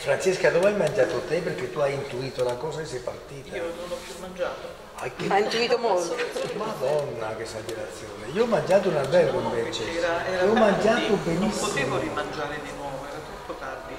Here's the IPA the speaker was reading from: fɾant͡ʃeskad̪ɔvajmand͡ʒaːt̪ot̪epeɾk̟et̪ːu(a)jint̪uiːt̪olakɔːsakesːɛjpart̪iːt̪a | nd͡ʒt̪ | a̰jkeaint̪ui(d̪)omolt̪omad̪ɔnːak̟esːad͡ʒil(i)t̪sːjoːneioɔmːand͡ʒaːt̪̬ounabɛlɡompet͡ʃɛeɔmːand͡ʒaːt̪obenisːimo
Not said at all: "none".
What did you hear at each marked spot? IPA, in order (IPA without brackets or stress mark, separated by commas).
a, t̪, a